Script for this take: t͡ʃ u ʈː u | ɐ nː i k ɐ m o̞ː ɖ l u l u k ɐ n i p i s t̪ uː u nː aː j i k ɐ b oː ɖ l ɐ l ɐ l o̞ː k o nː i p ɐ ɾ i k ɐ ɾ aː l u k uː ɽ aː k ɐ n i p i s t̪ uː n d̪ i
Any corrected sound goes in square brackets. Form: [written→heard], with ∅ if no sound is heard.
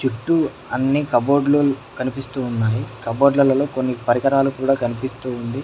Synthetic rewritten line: t͡ʃ u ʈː u | ɐ nː i k ɐ [m→b] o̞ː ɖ l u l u k ɐ n i p i s t̪ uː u nː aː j i k ɐ b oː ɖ l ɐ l ɐ l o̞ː k o nː i p ɐ ɾ i k ɐ ɾ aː l u k uː ɽ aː k ɐ n i p i s t̪ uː n d̪ i